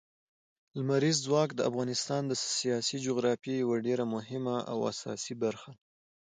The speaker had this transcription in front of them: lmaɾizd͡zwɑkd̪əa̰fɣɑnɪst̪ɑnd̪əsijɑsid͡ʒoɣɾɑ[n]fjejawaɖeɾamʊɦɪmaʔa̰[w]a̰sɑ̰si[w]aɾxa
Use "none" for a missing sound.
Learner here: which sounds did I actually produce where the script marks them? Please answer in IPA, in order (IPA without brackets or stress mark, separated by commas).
none, w, b